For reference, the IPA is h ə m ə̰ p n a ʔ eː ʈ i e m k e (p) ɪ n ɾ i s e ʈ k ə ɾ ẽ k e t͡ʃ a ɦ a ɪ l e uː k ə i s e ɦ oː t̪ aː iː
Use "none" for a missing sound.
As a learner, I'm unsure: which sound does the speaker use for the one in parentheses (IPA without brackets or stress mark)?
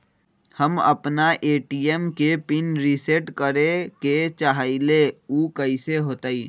p